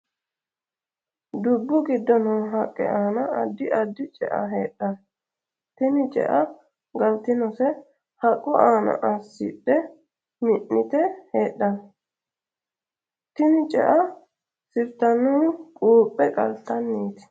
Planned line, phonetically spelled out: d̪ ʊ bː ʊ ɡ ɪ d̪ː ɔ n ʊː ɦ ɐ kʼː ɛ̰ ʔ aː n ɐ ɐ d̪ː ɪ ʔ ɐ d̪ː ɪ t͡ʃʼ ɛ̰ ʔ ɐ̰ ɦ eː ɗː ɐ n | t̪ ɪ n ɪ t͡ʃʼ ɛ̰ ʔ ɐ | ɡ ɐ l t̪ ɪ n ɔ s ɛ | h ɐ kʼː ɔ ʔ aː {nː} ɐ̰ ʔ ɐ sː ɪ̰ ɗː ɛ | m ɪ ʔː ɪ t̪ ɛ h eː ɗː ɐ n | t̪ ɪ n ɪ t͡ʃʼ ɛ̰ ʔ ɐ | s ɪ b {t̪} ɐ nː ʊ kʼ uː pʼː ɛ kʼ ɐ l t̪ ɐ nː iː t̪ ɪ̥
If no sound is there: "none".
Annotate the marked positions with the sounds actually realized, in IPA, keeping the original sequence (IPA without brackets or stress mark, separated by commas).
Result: n, t̪